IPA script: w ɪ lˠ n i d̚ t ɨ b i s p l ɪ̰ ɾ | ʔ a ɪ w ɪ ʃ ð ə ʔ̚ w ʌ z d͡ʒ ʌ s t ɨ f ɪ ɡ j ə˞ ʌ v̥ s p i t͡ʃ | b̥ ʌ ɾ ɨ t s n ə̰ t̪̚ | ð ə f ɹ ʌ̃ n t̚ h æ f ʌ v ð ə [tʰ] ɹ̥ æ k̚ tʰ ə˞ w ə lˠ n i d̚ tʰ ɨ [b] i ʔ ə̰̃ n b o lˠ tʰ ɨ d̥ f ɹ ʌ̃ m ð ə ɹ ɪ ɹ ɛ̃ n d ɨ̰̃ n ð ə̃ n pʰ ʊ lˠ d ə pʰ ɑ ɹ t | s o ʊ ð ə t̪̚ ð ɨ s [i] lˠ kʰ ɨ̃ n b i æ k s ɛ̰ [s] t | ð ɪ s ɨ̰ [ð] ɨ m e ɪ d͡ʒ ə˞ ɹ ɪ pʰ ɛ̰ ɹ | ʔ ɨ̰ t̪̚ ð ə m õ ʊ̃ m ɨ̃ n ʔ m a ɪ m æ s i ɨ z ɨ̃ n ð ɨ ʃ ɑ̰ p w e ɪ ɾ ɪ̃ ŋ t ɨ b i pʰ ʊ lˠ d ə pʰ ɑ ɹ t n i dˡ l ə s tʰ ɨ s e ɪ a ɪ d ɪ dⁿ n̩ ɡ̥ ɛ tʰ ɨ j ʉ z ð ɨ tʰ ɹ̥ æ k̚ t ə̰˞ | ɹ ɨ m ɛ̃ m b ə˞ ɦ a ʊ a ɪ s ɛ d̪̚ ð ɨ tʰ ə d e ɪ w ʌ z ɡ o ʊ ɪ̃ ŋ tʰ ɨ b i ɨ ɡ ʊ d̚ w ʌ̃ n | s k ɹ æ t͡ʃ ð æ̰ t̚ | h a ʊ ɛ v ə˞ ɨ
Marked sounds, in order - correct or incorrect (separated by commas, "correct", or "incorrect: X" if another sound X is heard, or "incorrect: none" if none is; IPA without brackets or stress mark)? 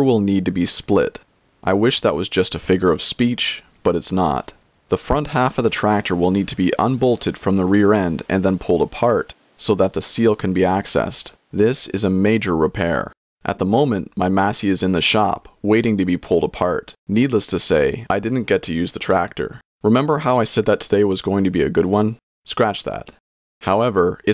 correct, correct, correct, correct, incorrect: z